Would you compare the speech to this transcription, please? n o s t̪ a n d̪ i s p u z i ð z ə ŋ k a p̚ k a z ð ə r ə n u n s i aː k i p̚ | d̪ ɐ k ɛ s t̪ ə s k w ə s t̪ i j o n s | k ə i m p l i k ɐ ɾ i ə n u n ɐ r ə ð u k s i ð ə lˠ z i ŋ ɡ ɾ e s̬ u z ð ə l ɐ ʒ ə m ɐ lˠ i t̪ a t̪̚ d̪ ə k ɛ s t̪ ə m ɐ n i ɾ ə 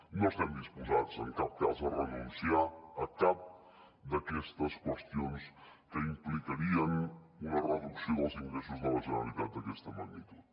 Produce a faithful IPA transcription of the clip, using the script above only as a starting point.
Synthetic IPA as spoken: n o s t̪ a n d̪ i s p u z a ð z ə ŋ k a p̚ k a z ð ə r ə n u n s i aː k a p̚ | d̪ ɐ k ɛ s t̪ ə s k w ə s t̪ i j o n s | k ə i m p l i k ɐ ɾ i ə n u n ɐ r ə ð u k s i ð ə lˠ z i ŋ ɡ ɾ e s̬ u z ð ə l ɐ ʒ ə n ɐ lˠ i t̪ a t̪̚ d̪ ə k ɛ s t̪ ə m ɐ n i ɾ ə